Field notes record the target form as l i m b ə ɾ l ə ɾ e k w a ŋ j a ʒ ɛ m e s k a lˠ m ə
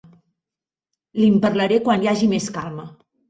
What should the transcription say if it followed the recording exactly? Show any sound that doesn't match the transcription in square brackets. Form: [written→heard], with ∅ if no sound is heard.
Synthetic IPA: l i m [b→p] ə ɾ l ə ɾ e k w a [ŋ→n] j a ʒ [ɛ→i] m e s k a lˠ m ə